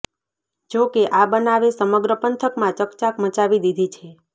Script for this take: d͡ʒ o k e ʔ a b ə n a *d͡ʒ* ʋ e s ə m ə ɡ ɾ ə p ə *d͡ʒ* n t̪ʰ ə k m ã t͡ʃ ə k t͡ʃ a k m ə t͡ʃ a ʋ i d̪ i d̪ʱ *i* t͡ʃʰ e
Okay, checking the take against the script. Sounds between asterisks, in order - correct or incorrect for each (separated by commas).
incorrect, incorrect, correct